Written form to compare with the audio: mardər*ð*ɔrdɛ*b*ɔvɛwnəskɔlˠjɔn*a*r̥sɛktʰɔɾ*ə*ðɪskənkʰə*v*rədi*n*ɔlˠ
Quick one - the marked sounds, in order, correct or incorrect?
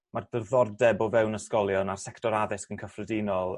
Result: correct, correct, correct, incorrect, incorrect, correct

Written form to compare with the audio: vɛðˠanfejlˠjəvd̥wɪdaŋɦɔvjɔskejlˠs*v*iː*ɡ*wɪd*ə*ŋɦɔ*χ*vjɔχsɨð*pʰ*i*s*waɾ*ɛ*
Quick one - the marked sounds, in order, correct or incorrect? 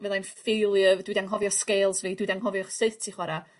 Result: correct, incorrect, incorrect, incorrect, incorrect, incorrect, incorrect

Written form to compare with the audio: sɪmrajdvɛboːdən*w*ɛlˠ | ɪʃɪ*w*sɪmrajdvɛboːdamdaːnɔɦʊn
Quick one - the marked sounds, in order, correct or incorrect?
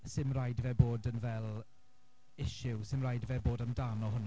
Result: incorrect, correct

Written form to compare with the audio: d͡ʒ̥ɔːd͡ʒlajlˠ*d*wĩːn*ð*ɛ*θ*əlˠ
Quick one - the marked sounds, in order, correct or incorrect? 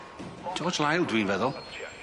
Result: correct, incorrect, incorrect

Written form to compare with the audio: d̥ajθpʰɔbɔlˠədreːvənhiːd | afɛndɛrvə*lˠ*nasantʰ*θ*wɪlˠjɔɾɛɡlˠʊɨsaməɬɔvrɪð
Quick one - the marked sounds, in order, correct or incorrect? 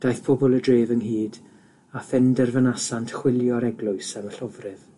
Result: incorrect, incorrect

